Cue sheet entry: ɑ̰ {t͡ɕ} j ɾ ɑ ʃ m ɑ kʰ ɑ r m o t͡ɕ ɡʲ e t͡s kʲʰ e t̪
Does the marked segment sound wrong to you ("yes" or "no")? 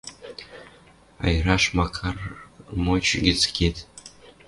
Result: yes